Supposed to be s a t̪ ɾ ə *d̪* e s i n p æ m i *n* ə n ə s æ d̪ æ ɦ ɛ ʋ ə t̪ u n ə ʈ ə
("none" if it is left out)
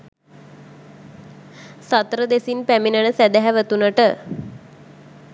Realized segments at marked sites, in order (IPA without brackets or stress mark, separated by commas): d̪, n